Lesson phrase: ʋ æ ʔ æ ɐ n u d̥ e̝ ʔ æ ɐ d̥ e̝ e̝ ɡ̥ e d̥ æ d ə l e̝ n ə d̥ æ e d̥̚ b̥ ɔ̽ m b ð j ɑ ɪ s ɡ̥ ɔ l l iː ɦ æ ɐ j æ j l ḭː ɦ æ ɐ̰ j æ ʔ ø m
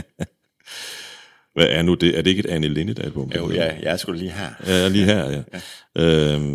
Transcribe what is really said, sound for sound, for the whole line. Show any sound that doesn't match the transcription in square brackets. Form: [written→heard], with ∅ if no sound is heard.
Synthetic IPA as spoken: ʋ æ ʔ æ ɐ n u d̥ e̝ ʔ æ ɐ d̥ e̝ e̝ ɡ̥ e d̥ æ [d→n] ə l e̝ n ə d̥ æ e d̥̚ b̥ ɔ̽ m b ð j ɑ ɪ s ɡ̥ [ɔ→u] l l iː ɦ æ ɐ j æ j l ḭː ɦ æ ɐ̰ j æ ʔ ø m